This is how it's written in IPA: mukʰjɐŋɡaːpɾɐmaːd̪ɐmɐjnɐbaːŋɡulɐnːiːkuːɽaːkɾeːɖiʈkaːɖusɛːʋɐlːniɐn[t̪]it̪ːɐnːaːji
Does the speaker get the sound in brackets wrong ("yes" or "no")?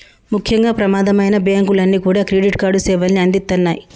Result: yes